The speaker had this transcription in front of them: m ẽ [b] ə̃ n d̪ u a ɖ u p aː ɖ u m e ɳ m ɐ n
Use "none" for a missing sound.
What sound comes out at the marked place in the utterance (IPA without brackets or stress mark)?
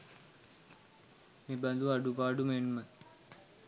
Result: b